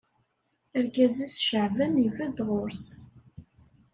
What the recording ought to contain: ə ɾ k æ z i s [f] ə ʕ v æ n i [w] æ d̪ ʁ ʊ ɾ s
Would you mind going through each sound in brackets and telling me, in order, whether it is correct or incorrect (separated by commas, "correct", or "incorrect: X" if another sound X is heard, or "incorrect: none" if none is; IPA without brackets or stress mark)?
incorrect: ʃ, incorrect: v